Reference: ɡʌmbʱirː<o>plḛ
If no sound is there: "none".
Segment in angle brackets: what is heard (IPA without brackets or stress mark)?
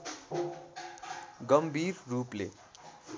u